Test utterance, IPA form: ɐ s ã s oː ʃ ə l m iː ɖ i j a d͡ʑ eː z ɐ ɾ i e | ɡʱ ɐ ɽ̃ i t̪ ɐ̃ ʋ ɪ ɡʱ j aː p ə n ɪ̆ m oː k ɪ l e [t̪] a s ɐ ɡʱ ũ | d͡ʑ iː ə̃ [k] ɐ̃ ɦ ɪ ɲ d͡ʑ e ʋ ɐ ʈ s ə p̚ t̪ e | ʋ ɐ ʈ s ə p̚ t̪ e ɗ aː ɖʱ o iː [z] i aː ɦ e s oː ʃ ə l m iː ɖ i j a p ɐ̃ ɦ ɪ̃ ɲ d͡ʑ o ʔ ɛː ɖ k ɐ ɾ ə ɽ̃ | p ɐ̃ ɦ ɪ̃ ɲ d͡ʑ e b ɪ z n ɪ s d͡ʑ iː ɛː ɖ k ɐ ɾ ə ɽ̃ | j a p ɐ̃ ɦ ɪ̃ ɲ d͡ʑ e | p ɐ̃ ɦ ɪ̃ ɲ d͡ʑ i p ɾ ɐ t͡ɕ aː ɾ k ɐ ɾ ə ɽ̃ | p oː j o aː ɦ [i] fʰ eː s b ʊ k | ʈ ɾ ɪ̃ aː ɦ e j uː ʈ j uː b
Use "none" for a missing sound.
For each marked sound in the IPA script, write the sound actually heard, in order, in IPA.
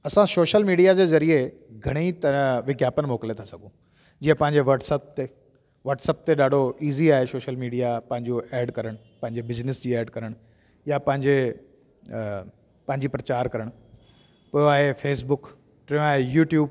t̪ʰ, p, z, e

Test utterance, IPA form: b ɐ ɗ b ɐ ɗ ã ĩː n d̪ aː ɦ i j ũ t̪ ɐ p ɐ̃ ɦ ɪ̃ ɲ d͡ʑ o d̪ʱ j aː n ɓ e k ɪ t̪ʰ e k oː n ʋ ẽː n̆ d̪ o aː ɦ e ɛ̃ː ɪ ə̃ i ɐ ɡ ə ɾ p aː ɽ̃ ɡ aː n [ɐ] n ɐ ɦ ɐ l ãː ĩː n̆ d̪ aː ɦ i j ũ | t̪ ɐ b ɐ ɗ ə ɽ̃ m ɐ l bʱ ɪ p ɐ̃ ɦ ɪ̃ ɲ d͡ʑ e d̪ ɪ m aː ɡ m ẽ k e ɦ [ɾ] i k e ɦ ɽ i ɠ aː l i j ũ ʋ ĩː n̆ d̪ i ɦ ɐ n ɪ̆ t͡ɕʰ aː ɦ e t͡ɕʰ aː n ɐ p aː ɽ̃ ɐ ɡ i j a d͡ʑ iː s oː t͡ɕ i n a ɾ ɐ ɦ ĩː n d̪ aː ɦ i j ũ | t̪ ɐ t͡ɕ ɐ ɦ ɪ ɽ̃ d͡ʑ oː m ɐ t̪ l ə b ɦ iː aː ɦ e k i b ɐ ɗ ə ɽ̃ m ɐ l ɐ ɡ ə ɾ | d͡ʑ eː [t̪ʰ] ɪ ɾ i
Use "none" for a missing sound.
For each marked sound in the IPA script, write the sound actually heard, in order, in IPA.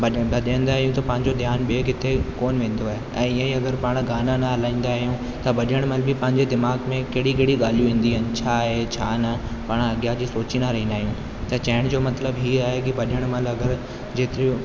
a, ɽ, t̪

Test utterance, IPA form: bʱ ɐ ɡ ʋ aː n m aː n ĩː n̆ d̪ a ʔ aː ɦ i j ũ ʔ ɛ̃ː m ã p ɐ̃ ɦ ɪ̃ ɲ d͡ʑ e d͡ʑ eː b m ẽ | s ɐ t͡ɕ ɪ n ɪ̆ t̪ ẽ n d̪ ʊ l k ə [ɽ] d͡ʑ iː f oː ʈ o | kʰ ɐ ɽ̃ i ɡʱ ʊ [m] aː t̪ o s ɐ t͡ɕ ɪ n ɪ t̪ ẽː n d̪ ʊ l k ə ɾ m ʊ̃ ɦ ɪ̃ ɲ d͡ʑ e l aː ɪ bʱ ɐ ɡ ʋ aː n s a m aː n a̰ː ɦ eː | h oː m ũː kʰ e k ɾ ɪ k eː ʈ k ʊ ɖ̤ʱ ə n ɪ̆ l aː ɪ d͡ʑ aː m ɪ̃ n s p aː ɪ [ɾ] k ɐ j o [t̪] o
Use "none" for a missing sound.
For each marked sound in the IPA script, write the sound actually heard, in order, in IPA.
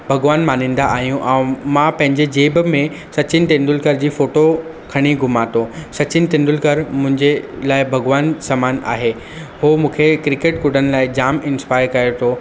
ɾ, m, ɾ, t̪ʰ

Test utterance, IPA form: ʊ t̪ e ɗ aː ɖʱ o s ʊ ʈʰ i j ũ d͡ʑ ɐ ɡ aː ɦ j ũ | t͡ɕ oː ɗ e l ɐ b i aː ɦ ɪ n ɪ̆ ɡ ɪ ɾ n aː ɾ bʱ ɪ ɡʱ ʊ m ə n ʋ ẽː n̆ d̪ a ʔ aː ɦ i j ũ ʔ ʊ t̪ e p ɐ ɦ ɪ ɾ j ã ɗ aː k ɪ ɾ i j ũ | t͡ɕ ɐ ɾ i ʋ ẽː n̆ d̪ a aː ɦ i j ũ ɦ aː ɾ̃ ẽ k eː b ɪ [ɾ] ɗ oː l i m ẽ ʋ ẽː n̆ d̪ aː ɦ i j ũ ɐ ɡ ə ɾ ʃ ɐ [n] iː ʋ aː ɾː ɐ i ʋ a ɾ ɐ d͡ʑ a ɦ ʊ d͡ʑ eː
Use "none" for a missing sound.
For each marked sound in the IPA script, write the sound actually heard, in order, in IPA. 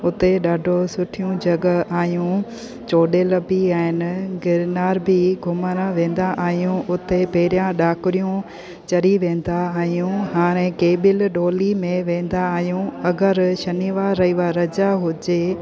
l, n

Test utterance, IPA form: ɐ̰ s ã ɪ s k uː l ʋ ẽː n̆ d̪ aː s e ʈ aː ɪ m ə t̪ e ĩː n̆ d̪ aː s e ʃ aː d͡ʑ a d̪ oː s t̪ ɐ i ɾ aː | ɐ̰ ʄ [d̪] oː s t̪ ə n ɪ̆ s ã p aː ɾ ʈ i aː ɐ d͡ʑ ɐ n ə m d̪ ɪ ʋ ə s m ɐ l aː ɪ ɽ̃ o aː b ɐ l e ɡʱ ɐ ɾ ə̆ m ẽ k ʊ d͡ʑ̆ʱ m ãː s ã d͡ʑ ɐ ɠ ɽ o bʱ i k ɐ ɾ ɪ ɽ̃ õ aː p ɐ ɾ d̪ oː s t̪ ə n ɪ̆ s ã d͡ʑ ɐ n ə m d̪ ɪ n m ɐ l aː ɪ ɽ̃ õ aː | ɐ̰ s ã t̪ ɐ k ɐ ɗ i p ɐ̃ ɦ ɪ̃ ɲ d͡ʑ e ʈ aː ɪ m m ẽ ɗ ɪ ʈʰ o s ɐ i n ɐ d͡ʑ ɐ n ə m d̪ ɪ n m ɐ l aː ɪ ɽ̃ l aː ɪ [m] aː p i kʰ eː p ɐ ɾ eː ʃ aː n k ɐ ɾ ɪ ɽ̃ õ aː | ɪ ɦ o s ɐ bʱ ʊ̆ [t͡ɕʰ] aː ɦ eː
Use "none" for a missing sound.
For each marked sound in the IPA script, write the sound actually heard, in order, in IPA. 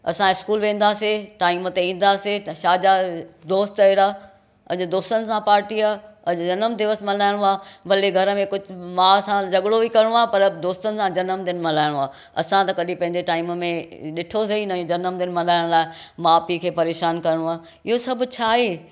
d̪, m, t͡ɕʰ

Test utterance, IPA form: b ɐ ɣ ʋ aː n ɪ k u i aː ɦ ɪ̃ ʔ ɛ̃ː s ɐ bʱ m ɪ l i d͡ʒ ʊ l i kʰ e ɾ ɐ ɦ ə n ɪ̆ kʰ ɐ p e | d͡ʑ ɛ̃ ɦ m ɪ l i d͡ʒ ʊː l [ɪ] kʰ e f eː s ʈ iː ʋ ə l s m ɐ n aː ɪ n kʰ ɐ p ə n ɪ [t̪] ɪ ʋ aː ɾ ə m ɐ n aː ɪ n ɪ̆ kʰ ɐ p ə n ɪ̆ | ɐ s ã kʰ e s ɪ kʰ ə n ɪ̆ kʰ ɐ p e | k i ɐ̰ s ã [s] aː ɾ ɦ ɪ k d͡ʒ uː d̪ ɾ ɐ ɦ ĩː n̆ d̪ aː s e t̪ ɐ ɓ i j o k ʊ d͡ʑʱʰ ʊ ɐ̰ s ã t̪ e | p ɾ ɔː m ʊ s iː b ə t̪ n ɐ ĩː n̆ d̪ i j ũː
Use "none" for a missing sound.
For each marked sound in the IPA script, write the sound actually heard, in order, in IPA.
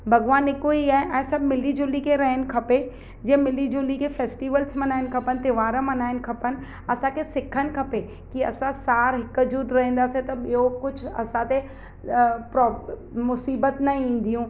i, t̪, s

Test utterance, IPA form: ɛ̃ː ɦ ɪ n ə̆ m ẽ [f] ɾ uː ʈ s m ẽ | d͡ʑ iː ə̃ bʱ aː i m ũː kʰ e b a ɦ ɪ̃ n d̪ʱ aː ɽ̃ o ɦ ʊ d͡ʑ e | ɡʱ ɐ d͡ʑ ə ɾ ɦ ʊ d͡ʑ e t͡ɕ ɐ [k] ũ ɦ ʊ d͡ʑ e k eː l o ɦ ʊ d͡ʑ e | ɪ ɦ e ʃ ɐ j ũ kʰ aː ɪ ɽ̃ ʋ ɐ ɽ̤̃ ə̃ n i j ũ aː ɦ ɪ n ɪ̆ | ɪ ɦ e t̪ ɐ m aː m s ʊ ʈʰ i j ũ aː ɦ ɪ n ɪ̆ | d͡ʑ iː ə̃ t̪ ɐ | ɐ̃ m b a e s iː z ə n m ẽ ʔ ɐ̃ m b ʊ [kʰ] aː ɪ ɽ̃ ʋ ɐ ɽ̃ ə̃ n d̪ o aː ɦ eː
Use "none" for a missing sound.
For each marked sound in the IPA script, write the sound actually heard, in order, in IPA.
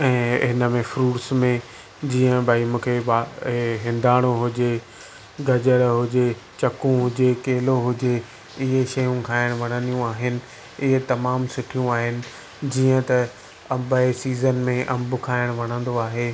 f, k, kʰ

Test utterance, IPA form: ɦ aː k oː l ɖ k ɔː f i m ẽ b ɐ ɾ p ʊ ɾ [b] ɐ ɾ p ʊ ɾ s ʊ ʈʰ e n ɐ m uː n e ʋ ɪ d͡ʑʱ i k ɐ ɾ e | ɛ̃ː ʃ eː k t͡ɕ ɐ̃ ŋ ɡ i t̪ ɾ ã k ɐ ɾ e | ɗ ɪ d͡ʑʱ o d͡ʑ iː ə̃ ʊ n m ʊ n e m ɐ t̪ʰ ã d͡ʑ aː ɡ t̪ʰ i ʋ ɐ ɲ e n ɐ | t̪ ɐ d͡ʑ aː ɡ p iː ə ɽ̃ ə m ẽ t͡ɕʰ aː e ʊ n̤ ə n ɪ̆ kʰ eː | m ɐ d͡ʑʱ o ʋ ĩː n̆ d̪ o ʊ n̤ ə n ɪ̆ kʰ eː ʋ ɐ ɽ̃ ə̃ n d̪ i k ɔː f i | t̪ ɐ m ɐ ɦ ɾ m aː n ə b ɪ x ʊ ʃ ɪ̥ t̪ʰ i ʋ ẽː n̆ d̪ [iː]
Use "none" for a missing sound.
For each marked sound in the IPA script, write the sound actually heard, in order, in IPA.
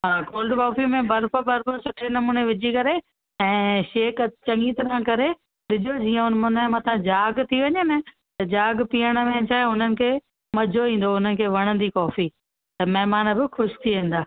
b, aː

